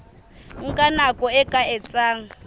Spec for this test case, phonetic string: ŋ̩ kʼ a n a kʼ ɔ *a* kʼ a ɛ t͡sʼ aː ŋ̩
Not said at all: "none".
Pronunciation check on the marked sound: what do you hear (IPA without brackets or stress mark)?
ɛ